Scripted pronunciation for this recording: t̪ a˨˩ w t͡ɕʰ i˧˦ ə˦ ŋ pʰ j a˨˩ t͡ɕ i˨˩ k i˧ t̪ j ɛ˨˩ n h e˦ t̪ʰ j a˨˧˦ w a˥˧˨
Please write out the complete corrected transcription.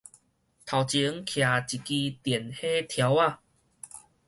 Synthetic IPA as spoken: t̪ʰ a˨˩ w t͡ɕ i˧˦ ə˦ ŋ kʰ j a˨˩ t͡ɕ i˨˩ k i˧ t̪ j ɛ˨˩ n h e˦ t̪ʰ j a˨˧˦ w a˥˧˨

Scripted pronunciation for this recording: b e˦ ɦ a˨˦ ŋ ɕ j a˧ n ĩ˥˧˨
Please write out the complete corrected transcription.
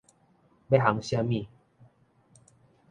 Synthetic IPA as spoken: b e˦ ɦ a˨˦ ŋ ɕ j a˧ m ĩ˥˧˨

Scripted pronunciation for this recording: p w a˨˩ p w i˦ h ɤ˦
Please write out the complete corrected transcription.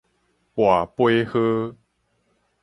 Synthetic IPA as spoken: p w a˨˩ p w e˦ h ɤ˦

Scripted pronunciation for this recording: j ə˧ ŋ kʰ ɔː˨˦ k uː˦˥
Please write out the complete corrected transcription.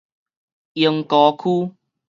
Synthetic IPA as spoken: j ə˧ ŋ k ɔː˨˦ kʰ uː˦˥

